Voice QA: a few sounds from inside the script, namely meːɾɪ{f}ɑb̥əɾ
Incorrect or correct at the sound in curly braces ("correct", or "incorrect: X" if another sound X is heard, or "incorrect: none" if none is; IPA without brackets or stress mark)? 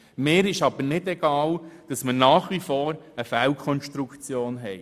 incorrect: ʃ